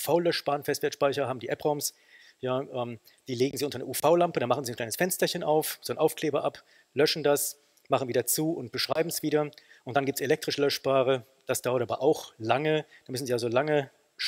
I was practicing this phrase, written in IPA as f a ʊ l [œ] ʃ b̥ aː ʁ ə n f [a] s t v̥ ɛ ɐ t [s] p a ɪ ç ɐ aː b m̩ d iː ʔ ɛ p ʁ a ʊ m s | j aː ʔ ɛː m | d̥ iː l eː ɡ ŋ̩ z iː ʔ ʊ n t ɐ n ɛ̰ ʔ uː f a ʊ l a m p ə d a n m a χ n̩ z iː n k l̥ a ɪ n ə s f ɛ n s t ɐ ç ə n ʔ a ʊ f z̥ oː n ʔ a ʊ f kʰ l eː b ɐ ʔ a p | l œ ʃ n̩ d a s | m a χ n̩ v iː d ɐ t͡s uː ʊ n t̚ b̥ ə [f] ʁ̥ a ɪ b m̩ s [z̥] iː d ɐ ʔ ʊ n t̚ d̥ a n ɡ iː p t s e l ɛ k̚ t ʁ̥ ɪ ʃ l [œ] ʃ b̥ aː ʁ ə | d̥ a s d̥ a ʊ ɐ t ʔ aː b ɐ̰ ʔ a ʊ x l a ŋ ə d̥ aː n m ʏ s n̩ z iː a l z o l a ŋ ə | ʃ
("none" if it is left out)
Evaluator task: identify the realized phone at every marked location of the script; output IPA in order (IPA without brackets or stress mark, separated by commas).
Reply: œ, ɛ, ʃ, ʃ, v̥, œ